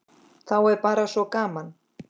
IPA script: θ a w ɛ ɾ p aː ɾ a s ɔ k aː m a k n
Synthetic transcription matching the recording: θ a w ɛ ɾ p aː ɾ a s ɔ k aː m a n